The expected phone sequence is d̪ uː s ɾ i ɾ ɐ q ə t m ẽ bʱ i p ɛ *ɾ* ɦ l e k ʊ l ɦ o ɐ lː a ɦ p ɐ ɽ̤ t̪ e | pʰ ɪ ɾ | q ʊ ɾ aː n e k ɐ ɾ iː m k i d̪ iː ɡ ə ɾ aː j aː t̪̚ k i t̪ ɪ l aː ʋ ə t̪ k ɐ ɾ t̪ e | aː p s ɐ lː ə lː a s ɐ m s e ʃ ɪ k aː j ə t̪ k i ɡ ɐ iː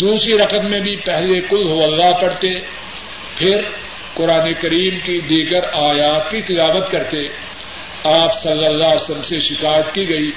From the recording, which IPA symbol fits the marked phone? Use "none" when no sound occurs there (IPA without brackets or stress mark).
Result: none